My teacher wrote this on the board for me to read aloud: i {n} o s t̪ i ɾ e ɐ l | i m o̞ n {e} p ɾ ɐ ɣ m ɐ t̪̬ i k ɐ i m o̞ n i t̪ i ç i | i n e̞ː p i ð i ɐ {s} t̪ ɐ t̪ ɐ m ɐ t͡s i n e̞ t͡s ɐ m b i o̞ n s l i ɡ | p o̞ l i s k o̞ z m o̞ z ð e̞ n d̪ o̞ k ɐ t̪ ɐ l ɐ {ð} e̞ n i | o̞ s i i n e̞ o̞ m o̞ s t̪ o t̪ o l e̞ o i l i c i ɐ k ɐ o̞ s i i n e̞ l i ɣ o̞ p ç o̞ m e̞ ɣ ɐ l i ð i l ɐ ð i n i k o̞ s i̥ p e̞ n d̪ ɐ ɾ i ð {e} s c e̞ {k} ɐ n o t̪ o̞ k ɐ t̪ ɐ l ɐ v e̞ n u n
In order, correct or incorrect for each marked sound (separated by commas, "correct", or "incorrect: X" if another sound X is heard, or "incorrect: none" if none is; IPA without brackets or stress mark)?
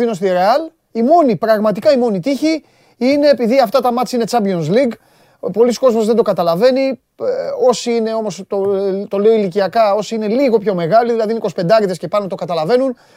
correct, incorrect: i, incorrect: f, incorrect: v, correct, incorrect: p